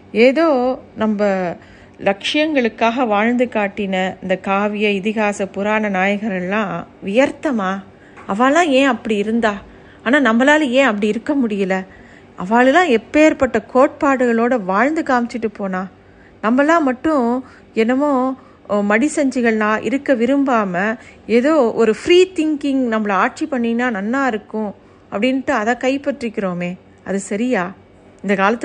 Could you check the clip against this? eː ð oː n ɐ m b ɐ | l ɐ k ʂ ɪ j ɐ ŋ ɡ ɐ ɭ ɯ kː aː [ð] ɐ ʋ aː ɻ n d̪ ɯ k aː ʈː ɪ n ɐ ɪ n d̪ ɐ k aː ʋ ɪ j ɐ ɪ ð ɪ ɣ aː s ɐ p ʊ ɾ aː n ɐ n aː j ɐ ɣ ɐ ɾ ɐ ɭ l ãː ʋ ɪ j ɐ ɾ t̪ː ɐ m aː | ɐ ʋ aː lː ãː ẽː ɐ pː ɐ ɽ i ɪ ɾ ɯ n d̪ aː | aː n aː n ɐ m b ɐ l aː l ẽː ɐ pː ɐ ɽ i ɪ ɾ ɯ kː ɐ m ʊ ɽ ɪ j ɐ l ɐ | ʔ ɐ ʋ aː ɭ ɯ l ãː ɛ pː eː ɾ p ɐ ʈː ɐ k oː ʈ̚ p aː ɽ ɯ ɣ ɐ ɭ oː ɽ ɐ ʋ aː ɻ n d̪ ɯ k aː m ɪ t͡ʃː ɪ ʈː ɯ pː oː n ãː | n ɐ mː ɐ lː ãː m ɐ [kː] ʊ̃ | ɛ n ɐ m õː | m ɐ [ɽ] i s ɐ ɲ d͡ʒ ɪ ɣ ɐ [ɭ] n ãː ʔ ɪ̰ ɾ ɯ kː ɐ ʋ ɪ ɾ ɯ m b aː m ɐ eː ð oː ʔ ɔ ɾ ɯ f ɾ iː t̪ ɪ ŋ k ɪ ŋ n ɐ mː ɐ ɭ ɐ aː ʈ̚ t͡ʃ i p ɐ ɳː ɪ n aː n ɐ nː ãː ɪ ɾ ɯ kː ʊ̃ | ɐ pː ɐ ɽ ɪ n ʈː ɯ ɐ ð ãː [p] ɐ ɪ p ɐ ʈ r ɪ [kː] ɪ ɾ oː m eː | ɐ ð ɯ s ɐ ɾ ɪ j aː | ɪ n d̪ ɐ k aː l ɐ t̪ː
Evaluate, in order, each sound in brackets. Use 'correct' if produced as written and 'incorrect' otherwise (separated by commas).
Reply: incorrect, incorrect, correct, correct, incorrect, correct